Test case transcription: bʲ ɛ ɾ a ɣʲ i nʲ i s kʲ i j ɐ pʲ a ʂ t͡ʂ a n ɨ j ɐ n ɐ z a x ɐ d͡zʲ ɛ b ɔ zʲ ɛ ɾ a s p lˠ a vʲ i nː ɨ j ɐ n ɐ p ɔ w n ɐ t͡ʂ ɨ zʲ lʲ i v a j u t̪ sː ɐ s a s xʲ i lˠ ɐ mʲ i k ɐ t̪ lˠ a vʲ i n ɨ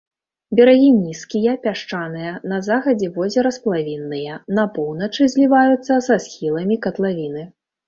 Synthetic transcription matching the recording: bʲ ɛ ɾ a ɣʲ i nʲ i s kʲ i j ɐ pʲ a ʂ t͡ʂ a n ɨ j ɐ n ɐ z a x ɐ d͡zʲ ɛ v ɔ zʲ ɛ ɾ ɐ s p lˠ a vʲ i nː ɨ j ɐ n ɐ p ɔ w n ɐ t͡ʂ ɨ zʲ lʲ i v a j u t̪ sː ɐ s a s xʲ i lˠ ɐ mʲ i k ɐ t̪ lˠ a vʲ i n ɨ

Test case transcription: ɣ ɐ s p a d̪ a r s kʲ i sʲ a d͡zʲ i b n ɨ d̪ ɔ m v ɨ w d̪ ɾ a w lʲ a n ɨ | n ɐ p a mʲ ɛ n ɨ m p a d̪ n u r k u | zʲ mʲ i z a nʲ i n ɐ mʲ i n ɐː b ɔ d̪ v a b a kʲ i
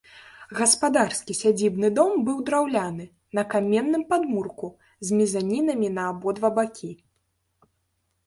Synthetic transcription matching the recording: ɣ ɐ s p a d̪ a r s kʲ i sʲ a d͡zʲ i b n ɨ d̪ ɔ m b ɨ w d̪ ɾ a w lʲ a n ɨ | n ɐ k a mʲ ɛ nː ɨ m p a d̪ m u r k u | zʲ mʲ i z a nʲ i n ɐ mʲ i n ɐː b ɔ d̪ v a b a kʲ i

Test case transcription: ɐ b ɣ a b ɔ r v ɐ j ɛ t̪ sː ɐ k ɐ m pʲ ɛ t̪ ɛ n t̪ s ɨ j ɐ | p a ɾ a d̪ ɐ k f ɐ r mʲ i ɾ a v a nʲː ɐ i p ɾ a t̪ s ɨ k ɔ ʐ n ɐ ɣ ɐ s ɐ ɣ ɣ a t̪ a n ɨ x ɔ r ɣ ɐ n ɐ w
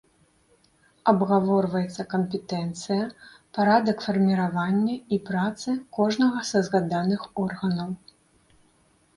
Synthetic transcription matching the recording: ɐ b ɣ a v ɔ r v ɐ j ɛ t̪ sː ɐ k ɐ m pʲ ɛ t̪ ɛ n t̪ s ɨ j ɐ | p a ɾ a d̪ ɐ k f ɐ r mʲ i ɾ a v a nʲː ɐ i p ɾ a t̪ s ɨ k ɔ ʐ n ɐ ɣ ɐ s ɐ z ɣ a d̪ a n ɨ x ɔ r ɣ ɐ n ɐ w

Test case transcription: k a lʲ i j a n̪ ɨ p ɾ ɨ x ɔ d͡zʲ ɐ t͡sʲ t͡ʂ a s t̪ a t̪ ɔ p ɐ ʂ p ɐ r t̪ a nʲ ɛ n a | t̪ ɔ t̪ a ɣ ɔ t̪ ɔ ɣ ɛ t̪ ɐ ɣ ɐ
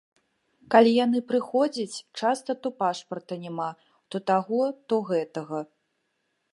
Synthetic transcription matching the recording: k a lʲ i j a n̪ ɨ p ɾ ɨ x ɔ d͡zʲ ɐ t͡sʲ t͡ʂ a s t̪ ɐ t̪ ɔ p a ʂ p ɐ r t̪ ɐ nʲ ɛ m a | t̪ ɔ t̪ a ɣ ɔ t̪ ɔ ɣ ɛ t̪ ɐ ɣ ɐ

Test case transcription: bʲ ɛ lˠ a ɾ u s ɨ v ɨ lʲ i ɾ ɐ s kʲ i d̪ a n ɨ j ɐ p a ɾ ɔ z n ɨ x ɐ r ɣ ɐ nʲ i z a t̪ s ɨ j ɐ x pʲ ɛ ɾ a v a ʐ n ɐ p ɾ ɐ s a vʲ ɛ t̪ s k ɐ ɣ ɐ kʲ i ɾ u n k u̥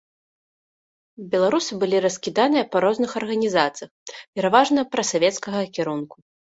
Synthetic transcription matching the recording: bʲ ɛ lˠ a ɾ u s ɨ b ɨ lʲ i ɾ ɐ s kʲ i d̪ a n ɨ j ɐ p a ɾ ɔ z n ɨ x ɐ r ɣ ɐ nʲ i z a t̪ s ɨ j ɐ x pʲ ɛ ɾ a v a ʐ n ɐ p ɾ ɐ s a vʲ ɛ t̪ s k ɐ ɣ ɐ kʲ i ɾ u n k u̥

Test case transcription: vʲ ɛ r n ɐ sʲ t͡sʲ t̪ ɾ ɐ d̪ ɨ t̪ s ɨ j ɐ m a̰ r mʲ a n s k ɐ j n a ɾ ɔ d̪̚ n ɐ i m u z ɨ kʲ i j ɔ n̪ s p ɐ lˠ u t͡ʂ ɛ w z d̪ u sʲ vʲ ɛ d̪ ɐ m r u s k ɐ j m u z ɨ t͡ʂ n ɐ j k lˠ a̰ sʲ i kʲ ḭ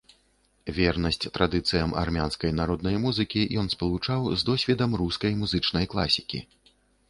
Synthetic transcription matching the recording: vʲ ɛ r n ɐ sʲ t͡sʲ t̪ ɾ a d̪ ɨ t̪ s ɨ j ɐ m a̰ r mʲ a n s k ɐ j n a ɾ ɔ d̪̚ n ɐ j m u z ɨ kʲ i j ɔ n̪ s p ɐ lˠ u t͡ʂ a w z d̪ ɔ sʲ vʲ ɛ d̪ ɐ m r u s k ɐ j m u z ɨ t͡ʂ n ɐ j k lˠ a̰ sʲ i kʲ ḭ

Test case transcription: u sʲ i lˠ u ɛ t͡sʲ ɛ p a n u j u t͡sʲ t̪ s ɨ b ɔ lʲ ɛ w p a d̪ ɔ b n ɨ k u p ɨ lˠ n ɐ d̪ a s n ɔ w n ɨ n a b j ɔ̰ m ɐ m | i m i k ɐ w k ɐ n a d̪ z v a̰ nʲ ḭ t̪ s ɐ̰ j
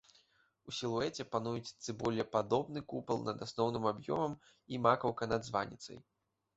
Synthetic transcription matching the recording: u sʲ i lˠ u ɛ t͡sʲ ɛ p a n u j u t͡sʲ t̪ s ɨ b ɔ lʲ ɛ p a d̪ ɔ b n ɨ k u p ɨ lˠ n ɐ d̪ a s n ɔ w n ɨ m a b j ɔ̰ m ɐ m | i m a k ɐ w k ɐ n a d̪ z v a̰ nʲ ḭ t̪ s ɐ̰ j

